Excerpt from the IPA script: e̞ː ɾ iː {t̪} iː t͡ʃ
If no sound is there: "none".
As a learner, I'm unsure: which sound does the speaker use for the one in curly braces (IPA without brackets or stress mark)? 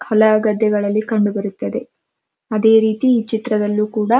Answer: t̪